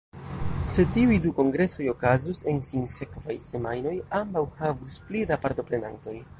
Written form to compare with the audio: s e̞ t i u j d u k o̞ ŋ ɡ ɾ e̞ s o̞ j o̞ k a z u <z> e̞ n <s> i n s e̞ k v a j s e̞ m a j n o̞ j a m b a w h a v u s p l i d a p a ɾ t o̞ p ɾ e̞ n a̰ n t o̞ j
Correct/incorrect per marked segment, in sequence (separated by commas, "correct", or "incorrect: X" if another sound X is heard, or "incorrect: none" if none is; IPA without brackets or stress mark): incorrect: s, correct